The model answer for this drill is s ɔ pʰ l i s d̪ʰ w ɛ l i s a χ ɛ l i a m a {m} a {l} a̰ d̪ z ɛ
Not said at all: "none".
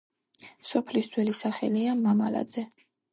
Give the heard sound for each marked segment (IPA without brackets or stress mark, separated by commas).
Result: m, l